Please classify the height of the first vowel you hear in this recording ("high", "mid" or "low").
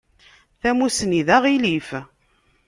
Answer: low